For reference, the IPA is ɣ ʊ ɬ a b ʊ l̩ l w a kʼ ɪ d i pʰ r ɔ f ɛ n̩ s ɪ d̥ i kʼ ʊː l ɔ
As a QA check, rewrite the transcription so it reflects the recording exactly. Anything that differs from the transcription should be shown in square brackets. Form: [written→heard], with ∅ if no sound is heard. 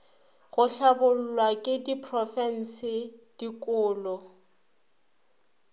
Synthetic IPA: ɣ ʊ ɬ a b ʊ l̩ l w a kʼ ɪ d i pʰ r ɔ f ɛ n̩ s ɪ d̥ i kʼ ʊː l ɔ